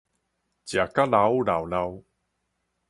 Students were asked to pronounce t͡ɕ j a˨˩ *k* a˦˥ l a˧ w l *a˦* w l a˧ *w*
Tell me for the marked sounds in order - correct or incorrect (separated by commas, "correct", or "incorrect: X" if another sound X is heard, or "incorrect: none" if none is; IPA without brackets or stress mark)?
correct, incorrect: a˨˩, correct